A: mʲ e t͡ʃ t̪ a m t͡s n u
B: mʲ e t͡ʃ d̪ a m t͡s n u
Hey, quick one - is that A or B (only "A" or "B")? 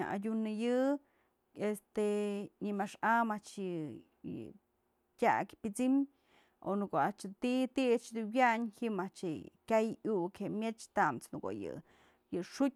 A